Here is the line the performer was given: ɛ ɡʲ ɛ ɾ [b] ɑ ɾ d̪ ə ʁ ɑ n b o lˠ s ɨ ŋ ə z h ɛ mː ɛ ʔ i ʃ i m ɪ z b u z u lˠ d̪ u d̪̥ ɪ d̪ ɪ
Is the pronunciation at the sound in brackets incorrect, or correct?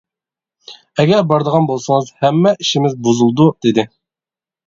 correct